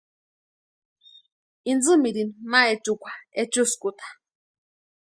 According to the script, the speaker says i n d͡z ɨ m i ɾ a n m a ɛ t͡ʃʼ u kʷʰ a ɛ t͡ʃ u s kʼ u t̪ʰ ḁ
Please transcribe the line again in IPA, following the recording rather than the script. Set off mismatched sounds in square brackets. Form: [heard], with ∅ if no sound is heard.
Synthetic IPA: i n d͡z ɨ m i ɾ [i] n m a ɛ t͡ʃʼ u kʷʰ a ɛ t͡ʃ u s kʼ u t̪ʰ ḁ